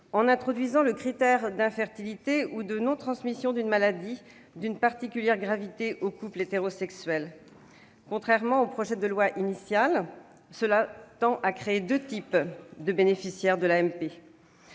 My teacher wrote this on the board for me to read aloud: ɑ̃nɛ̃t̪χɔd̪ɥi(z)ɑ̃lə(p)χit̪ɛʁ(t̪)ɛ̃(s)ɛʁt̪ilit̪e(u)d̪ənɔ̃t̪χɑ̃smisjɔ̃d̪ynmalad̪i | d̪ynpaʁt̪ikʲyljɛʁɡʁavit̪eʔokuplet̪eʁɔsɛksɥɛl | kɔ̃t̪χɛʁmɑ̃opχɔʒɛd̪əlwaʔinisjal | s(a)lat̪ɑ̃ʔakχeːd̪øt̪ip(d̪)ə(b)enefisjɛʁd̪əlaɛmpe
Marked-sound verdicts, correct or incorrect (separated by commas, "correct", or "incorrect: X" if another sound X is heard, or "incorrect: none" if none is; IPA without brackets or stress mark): correct, incorrect: k, incorrect: d̪, incorrect: f, correct, incorrect: ə, correct, correct